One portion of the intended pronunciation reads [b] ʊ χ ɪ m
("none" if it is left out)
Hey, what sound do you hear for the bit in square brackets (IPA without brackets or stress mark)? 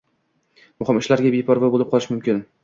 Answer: m